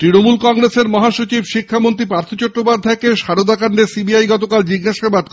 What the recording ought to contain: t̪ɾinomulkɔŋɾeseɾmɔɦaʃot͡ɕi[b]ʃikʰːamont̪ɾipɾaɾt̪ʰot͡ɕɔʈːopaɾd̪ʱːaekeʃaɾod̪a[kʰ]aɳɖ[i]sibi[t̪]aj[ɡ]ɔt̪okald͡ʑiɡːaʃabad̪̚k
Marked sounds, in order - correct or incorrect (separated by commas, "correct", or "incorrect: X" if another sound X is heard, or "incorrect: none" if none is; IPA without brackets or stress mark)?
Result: correct, incorrect: k, incorrect: e, incorrect: none, correct